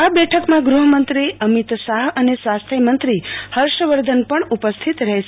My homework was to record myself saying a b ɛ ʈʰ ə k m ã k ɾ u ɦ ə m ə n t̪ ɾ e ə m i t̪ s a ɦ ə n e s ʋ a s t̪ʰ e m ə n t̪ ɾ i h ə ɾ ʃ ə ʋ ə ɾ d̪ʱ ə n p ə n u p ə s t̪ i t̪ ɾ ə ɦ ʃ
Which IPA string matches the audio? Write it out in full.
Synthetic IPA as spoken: a b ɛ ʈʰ ə k m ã ɡ ɾ u ɦ ə m ə n t̪ ɾ i ə m i t̪ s a ɦ ə n e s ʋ a s t̪ʰ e m ə n t̪ ɾ i h ə ɾ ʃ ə ʋ ə ɾ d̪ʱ ə n p ə ɳ u p ə s t̪ʰ i t̪ ɾ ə ɦ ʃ